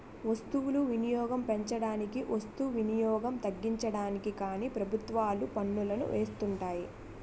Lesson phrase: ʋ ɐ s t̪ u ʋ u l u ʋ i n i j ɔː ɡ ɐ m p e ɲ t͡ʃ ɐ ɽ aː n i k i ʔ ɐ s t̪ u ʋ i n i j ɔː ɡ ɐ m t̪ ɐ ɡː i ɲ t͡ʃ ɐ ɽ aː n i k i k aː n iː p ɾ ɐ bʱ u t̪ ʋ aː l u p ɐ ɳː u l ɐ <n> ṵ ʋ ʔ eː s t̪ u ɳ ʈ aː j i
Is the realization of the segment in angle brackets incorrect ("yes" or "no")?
no